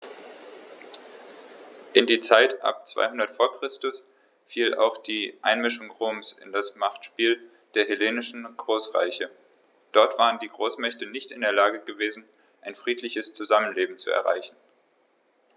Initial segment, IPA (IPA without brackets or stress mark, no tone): ʔ